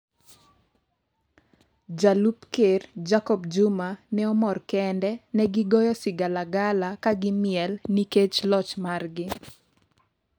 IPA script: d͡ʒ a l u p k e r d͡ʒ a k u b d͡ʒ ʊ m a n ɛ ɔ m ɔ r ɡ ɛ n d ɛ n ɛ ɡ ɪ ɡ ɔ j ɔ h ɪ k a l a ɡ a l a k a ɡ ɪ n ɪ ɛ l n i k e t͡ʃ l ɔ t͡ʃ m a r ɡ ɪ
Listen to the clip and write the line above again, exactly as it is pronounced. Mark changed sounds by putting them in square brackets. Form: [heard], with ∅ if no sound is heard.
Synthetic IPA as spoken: d͡ʒ a l u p k e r d͡ʒ a k [ɔ] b d͡ʒ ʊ m a n ɛ ɔ m ɔ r [k] ɛ n d ɛ n ɛ ɡ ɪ ɡ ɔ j ɔ [s] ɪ [ɡ] a l a ɡ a l a k a ɡ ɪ [m] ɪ ɛ l n i k e t͡ʃ l ɔ t͡ʃ m a r ɡ ɪ